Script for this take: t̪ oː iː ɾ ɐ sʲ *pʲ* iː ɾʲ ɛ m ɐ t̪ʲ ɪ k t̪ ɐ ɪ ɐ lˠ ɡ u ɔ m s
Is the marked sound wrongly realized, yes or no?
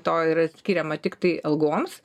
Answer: yes